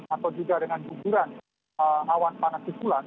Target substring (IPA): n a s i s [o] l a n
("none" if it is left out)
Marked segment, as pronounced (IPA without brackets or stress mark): u